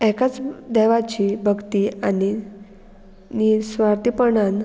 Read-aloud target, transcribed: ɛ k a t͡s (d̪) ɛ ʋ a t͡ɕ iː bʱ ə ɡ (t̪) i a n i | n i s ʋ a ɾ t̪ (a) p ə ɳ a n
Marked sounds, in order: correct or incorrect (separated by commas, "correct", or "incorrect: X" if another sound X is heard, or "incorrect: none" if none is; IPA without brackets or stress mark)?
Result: correct, correct, incorrect: i